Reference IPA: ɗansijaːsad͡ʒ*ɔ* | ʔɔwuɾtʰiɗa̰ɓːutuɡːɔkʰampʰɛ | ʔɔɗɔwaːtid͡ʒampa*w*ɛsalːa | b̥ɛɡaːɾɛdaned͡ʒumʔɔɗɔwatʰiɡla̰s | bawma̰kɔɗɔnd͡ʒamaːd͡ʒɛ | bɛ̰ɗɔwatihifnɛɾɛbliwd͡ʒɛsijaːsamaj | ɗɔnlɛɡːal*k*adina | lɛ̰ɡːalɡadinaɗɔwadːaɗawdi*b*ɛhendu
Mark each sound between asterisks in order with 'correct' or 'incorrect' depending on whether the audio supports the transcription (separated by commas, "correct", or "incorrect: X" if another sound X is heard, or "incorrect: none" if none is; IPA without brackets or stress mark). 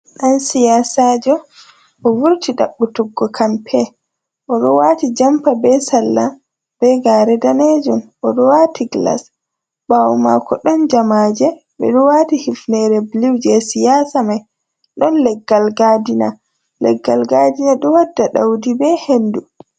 correct, incorrect: b, incorrect: ɡ, correct